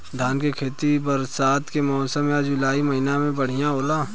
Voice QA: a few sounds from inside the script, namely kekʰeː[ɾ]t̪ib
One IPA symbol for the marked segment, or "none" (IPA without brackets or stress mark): none